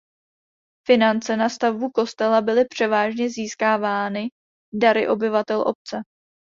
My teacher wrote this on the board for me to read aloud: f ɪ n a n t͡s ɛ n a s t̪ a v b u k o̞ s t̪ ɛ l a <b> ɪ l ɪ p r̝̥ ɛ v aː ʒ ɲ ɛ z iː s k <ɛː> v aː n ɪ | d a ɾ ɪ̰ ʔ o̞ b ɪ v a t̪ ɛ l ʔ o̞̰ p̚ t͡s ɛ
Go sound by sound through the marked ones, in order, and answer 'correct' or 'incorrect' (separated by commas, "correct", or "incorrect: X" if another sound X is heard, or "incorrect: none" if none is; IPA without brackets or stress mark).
correct, incorrect: aː